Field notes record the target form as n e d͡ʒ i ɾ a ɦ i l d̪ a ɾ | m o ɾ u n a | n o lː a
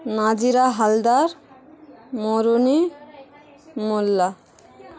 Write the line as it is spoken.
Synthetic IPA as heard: n a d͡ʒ i ɾ a ɦ a l d̪ a ɾ | m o ɾ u n i | m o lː a